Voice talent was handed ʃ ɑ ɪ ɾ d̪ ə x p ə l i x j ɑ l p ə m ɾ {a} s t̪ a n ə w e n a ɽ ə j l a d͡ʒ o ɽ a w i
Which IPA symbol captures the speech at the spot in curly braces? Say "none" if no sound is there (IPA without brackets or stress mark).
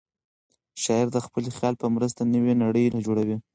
ə